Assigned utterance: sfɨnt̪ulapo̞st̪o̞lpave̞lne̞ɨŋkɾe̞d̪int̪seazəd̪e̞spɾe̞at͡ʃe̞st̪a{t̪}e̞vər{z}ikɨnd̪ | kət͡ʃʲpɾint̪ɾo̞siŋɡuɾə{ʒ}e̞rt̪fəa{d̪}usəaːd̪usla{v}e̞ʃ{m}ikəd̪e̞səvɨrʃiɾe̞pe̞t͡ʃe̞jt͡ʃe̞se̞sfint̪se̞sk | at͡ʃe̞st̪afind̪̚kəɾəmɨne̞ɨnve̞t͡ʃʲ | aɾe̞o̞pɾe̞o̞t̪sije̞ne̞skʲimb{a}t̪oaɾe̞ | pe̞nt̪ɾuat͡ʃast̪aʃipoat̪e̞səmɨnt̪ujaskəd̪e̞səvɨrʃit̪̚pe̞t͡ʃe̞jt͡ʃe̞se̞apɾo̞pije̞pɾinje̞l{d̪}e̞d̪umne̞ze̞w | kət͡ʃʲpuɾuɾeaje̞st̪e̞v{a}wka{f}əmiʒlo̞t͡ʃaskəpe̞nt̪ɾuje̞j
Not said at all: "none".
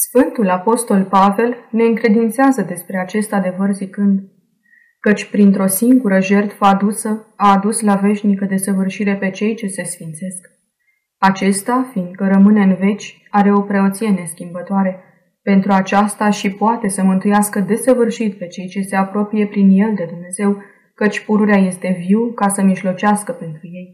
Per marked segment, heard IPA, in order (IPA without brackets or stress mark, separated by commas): d̪, z, ʒ, d̪, v, n, ə, d̪, i, s